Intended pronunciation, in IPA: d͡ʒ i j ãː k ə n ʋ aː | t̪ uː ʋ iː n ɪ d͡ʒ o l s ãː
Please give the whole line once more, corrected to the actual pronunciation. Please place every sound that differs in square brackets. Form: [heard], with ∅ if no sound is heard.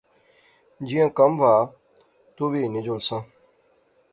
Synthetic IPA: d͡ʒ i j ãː k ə [m] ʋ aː | t̪ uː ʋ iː n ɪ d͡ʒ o l s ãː